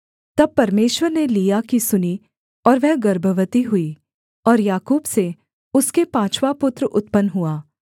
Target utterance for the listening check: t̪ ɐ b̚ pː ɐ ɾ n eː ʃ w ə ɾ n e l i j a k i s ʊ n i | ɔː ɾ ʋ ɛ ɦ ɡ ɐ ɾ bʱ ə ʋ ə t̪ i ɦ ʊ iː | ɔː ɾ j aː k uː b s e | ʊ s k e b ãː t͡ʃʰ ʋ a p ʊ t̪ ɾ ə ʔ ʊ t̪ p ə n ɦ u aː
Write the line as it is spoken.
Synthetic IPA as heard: t̪ ɐ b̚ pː ɐ ɾ m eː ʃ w ə ɾ n e l i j a k i s ʊ n i | ɔː ɾ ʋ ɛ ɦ ɡ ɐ ɾ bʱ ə ʋ ə t̪ i ɦ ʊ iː | ɔː ɾ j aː k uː b s e | ʊ s k e p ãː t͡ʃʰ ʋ a p ʊ t̪ ɾ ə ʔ ʊ t̪ p ə n ɦ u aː

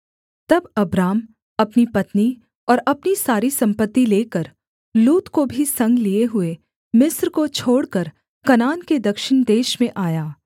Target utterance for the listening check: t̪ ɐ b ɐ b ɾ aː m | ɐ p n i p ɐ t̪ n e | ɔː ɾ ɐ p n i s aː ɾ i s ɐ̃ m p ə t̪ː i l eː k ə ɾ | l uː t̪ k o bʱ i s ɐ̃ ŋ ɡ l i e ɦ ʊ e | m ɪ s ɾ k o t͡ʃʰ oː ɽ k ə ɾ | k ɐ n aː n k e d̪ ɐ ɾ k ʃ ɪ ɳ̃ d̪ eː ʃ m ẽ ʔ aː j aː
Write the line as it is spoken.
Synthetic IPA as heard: t̪ ɐ b ɐ b ɾ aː m | ɐ p n i p ɐ t̪ n i | ɔː ɾ ɐ p n i s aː ɾ i s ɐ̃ m p ə t̪ː i l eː k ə ɾ | l uː t̪ k o bʱ i s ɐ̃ ŋ ɡ l i e ɦ ʊ e | m ɪ s ɾ k o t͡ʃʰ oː ɽ k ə ɾ | k ɐ n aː n k e d̪ ɐ k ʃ ɪ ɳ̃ d̪ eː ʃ m ẽ ʔ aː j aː

